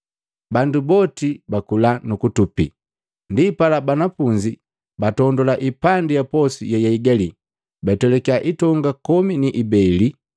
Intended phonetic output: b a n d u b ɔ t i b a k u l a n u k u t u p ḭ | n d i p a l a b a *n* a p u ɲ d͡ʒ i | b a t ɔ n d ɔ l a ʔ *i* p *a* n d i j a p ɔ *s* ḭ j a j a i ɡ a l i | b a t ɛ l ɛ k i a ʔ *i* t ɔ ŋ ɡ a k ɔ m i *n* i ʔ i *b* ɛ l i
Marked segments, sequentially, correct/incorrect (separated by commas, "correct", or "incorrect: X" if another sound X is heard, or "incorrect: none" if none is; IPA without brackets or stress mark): correct, correct, correct, correct, correct, correct, correct